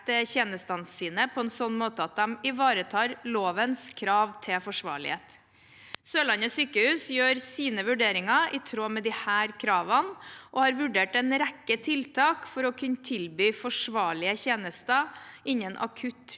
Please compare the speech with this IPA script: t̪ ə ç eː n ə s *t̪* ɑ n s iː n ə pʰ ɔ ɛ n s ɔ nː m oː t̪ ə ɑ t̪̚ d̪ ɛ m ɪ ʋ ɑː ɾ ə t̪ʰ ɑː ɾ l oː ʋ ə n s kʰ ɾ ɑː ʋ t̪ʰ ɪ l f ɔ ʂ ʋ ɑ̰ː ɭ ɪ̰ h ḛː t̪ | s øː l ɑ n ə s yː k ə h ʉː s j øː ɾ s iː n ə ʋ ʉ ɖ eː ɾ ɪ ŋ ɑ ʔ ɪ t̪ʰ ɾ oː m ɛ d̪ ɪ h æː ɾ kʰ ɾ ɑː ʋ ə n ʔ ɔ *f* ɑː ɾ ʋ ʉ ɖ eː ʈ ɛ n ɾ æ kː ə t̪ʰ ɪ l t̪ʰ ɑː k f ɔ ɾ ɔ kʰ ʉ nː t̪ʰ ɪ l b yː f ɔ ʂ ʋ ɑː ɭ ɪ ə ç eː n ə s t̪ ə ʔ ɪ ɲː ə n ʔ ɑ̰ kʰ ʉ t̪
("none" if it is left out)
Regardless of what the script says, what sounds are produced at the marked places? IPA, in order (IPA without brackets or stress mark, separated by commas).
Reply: t̪, h